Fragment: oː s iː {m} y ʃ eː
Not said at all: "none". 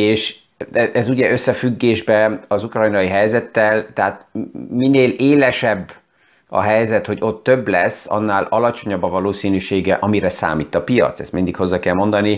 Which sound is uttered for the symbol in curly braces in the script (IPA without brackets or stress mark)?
n